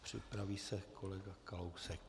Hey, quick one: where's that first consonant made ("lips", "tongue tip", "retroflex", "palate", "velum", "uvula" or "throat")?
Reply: lips